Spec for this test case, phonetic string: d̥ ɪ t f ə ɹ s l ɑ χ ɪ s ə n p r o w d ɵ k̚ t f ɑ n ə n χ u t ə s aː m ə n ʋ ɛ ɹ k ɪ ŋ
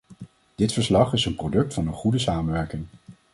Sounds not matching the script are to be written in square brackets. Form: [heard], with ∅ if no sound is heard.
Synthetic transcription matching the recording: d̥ ɪ t f ə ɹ s l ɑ χ ɪ s ə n p r o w d ɵ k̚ t f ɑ n ə n χ u [d] ə s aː m ə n ʋ ɛ ɹ k ɪ ŋ